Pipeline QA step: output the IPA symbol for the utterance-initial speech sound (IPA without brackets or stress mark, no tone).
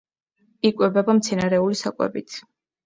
i